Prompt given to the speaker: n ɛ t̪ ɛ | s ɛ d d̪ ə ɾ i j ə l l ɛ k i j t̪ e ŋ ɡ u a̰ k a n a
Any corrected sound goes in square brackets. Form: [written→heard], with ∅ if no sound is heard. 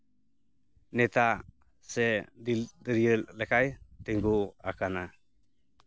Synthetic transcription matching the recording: n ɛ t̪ [ɛ→a] | s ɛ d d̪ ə ɾ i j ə l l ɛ k [i→a] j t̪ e ŋ ɡ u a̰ k a n a